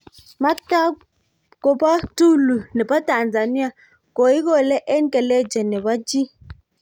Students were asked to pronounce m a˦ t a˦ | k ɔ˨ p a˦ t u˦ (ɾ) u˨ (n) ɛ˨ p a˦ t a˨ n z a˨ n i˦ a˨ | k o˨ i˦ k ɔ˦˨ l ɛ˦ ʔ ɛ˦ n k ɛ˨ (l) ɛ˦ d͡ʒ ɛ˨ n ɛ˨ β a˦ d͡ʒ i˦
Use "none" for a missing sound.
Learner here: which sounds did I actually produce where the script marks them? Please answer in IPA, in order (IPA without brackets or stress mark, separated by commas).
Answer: l, n, l